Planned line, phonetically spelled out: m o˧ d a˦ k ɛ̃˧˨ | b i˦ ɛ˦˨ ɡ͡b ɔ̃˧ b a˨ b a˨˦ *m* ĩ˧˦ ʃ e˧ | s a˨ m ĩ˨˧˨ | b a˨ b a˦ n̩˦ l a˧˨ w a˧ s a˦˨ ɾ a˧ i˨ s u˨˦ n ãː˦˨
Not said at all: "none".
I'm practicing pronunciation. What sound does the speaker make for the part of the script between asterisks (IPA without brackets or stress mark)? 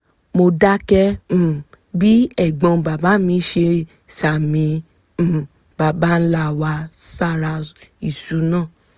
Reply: m